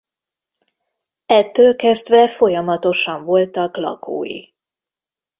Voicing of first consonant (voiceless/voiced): voiceless